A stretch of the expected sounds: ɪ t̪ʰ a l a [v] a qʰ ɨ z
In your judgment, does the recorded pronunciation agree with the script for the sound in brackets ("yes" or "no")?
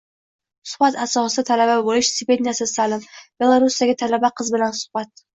no